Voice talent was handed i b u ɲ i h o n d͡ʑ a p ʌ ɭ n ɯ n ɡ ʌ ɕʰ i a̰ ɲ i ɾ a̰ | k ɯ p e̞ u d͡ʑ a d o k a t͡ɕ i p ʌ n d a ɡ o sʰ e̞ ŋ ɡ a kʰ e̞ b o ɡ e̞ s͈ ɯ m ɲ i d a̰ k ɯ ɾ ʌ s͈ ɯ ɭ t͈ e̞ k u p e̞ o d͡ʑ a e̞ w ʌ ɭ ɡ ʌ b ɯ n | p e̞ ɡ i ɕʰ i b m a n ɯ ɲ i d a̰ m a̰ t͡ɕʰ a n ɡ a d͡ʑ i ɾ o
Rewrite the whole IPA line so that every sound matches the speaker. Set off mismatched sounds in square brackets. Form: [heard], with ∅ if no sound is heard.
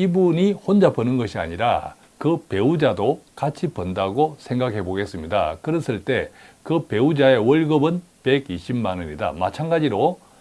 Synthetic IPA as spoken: i b u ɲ i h o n d͡ʑ a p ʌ [∅] n ɯ n ɡ ʌ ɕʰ i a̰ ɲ i ɾ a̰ | k ɯ p e̞ u d͡ʑ a d o k a [t͡ɕʰ] i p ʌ n d a ɡ o sʰ e̞ ŋ ɡ a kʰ e̞ b o ɡ e̞ s͈ ɯ m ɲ i d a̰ k ɯ ɾ ʌ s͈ ɯ ɭ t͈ e̞ k [ɯ] p e̞ [u] d͡ʑ a e̞ w ʌ ɭ ɡ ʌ b ɯ n | p e̞ ɡ i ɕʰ i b m a n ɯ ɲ i d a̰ m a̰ t͡ɕʰ a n ɡ a d͡ʑ i ɾ o